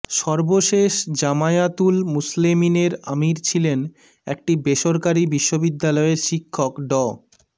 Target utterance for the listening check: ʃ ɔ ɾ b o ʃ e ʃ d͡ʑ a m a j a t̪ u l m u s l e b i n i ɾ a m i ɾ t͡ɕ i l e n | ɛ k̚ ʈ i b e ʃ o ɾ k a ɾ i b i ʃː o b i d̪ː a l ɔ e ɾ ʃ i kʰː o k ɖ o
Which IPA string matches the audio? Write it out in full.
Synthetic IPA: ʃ ɔ ɾ b o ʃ e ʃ d͡ʑ a m a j a t̪ u l m u s l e m i n e ɾ a m i ɾ t͡ɕʰ i l e n | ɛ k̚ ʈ i b e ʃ o ɾ k a ɾ i b i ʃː o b i d̪ː a l ɔ e ɾ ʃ i kʰː o k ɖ ɔ

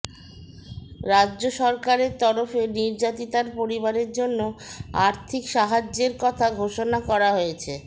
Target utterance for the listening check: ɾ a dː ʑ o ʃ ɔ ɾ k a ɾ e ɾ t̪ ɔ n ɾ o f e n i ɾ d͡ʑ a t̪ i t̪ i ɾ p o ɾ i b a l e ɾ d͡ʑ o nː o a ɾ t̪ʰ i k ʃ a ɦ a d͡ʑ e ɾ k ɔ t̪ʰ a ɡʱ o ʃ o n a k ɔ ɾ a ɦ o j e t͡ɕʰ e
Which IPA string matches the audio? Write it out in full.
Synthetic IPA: ɾ a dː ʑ o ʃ ɔ ɾ k a ɾ e ɾ t̪ ɔ ɾ o f e n i ɾ d͡ʑ a t̪ i t̪ a ɾ p o ɾ i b a ɾ e ɾ d͡ʑ o nː o a ɾ t̪ʰ i k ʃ a ɦ a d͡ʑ e ɾ k ɔ t̪ʰ a ɡʱ o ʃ o n a k ɔ ɾ a ɦ o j e t͡ɕʰ e

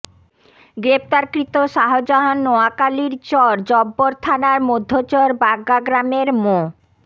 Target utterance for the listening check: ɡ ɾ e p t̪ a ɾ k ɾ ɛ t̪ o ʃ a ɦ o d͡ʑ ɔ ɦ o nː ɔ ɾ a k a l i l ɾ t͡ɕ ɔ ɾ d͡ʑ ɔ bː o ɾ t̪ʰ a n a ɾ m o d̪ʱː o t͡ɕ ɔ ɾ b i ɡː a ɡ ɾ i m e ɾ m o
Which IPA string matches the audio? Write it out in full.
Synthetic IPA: ɡ ɾ e p t̪ a ɾ k ɾ i t̪ o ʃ a ɦ o d͡ʑ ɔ ɦ o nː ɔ a k a l i ɾ t͡ɕ ɔ ɾ d͡ʑ ɔ bː o ɾ t̪ʰ a n a ɾ m o d̪ʱː o t͡ɕ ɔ ɾ b a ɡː a ɡ ɾ a m e ɾ m o

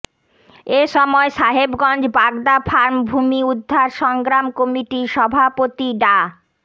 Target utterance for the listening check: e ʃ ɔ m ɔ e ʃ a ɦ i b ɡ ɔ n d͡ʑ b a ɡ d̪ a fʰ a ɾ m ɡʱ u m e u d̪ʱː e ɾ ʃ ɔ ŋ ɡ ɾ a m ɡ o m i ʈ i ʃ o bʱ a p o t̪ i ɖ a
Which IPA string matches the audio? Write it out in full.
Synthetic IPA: e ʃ ɔ m ɔ e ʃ a ɦ e b ɡ ɔ n d͡ʑ b a ɡ d̪ a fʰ a ɾ m bʱ u m i u d̪ʱː a ɾ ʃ ɔ ŋ ɡ ɾ a m k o m i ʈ i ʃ ɔ bʱ a p o t̪ i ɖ a

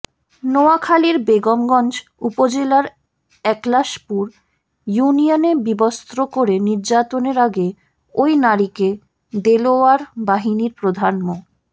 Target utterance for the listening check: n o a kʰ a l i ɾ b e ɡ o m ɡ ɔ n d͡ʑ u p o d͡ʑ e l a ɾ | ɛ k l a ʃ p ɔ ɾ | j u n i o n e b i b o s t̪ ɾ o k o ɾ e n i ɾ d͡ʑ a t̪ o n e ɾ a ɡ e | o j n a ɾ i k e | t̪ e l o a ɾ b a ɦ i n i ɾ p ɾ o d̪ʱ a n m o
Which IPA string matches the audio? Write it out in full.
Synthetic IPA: n o a kʰ a l i ɾ b e ɡ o m ɡ ɔ n d͡ʑ u p o d͡ʑ e l a ɾ | ɛ k l a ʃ p u ɾ | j u n i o n e b i b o s t̪ ɾ o k o ɾ e n i ɾ d͡ʑ a t̪ o n e ɾ a ɡ e | o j n a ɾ i k e | d̪ e l o a ɾ b a ɦ i n i ɾ p ɾ o d̪ʱ a n m o

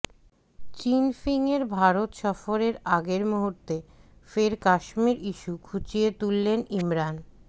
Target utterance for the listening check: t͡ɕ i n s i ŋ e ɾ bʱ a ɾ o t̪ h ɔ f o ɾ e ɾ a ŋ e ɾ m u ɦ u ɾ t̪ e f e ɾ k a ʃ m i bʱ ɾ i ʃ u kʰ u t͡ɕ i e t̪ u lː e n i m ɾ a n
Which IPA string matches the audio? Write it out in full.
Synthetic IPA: t͡ɕ i n f i ŋ e ɾ bʱ a ɾ o t̪ ʃ ɔ f o ɾ e ɾ a ɡ e ɾ m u ɦ u ɾ t̪ e f e ɾ k a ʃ m i ɾ i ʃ u kʰ u t͡ɕ i e t̪ u lː e n i m ɾ a n

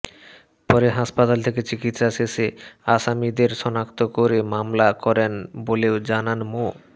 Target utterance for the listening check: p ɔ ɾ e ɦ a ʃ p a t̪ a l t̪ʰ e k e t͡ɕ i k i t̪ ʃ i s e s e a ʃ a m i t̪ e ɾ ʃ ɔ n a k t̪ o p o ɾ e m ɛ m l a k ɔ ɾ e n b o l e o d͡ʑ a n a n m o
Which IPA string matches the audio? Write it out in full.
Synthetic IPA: p ɔ ɾ e ɦ a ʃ p a t̪ a l t̪ʰ e k e t͡ɕ i k i t̪ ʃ a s e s e a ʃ a m i d̪ e ɾ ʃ ɔ n a k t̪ o k o ɾ e m a m l a k ɔ ɾ e n b o l e o d͡ʑ a n a n m o

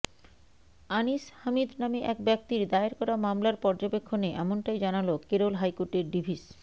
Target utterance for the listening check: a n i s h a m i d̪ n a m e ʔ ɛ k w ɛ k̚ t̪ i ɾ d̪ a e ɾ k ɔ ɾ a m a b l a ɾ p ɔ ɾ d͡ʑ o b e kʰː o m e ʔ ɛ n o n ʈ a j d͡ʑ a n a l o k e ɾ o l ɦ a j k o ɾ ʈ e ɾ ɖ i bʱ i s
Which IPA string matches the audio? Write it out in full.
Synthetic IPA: a n i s h a m i d̪ n a m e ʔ ɛ k b ɛ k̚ t̪ i ɾ d̪ a e ɾ k ɔ ɾ a m a m l a ɾ p ɔ ɾ d͡ʑ o b e kʰː o n e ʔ ɛ m o n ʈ a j d͡ʑ a n a l o k e ɾ o l ɦ a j k o ɾ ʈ e ɾ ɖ i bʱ i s

